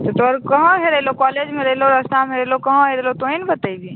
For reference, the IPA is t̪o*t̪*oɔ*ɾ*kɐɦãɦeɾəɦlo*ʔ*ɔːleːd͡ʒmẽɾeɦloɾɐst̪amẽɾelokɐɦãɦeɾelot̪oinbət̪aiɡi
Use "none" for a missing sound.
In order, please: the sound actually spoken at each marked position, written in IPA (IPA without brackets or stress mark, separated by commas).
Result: t̪, ɾ, k